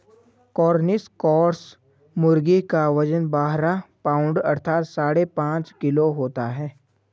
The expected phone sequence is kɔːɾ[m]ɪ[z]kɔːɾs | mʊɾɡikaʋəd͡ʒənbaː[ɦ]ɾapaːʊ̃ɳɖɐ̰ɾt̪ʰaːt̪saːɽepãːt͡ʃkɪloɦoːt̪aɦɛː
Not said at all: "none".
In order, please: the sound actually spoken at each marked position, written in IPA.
n, s, ɦ

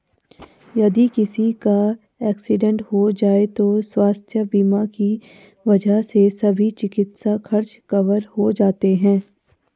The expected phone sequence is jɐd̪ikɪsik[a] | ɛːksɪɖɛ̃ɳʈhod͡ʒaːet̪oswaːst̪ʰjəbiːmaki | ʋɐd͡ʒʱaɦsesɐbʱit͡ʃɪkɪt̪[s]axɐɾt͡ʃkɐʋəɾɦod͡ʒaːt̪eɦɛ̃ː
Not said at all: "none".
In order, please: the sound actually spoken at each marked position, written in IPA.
a, s

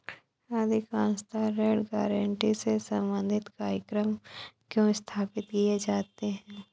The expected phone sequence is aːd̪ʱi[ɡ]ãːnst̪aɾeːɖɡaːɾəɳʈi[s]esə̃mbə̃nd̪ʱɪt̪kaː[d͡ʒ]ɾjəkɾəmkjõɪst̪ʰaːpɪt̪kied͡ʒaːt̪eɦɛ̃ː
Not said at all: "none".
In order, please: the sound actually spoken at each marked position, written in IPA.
k, s, none

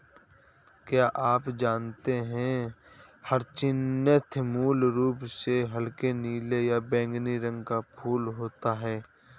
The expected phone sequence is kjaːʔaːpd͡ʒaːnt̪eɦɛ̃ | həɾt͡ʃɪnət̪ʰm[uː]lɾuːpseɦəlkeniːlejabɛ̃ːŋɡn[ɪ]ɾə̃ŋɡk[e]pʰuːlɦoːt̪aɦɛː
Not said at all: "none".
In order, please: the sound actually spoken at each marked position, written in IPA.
uː, i, a

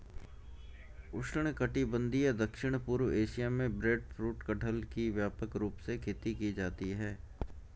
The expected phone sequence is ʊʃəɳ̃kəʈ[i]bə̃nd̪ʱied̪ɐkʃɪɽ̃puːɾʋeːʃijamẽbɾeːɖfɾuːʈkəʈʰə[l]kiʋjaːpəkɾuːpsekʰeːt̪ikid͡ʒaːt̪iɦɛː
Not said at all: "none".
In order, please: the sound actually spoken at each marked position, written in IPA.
i, l

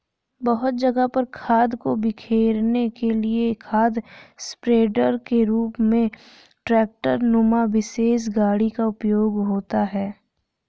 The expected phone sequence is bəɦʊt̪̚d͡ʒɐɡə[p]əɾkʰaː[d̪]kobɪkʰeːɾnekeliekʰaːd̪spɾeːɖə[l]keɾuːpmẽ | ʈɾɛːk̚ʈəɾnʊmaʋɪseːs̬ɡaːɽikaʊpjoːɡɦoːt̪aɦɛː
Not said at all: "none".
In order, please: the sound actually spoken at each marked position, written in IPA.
p, d̪, ɾ

